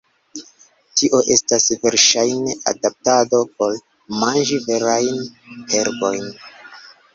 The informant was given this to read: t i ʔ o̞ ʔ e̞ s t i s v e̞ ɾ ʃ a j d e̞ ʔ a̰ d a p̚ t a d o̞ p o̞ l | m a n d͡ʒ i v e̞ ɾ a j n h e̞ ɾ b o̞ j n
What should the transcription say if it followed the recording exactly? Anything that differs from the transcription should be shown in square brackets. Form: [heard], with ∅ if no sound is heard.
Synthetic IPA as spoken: t i ʔ o̞ ʔ e̞ s t [a] s v e̞ ɾ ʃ a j [n] e̞ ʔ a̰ d a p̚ t a d o̞ p o̞ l | m a n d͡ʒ i v e̞ ɾ a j n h e̞ ɾ b o̞ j n